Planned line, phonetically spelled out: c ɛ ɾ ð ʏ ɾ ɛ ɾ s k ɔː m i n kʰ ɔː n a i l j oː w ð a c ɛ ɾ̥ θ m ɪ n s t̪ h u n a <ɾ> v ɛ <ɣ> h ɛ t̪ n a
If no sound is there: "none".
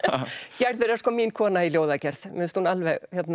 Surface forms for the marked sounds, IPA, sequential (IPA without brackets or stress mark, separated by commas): l, ɣ